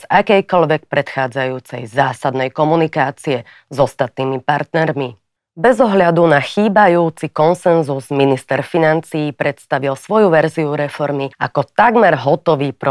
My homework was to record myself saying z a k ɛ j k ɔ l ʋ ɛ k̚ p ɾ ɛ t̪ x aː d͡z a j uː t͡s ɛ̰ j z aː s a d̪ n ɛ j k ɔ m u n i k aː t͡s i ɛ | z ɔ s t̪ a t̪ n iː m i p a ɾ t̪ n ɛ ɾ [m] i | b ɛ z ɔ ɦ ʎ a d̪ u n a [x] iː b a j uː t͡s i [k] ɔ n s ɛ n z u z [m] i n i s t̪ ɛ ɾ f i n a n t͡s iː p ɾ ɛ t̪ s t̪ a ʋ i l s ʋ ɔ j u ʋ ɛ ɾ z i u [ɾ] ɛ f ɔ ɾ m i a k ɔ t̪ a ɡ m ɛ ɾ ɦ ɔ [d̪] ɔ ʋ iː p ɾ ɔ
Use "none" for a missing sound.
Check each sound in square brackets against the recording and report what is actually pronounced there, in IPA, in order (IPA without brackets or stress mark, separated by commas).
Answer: m, x, k, m, ɾ, t̪